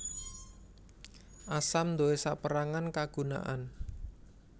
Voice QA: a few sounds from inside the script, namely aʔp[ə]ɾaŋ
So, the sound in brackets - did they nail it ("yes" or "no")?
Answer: yes